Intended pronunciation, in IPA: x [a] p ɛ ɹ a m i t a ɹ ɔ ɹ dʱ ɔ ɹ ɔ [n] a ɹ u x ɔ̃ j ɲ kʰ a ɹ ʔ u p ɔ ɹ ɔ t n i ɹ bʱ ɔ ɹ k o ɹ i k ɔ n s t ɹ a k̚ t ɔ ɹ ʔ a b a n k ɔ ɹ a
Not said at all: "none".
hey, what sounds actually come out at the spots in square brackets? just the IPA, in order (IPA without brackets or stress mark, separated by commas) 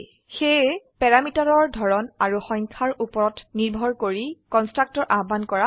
e, n